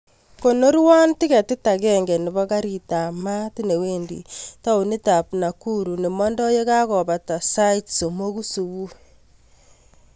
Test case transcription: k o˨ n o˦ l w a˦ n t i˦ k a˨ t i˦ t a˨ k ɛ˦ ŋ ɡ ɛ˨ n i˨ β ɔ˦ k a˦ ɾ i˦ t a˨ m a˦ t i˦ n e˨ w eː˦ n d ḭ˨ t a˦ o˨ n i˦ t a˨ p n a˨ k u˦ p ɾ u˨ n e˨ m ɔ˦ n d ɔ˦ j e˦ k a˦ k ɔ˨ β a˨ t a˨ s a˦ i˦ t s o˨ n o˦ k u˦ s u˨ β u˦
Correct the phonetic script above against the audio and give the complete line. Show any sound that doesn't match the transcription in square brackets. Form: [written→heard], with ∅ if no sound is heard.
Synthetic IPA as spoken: k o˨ n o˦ [l→ɾ] w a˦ n t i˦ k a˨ t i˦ t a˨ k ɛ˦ ŋ ɡ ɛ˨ n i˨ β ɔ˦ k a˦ ɾ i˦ t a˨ m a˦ t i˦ n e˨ w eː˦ n d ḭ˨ t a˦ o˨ n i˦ t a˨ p n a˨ k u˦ [p→∅] ɾ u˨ n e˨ m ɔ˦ n d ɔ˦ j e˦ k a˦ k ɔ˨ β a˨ t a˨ s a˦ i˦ t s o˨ [n→m] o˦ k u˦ s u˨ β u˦